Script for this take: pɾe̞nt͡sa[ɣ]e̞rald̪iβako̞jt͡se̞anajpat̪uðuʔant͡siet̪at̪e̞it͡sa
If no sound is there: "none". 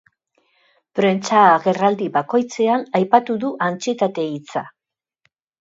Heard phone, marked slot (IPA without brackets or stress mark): ɣ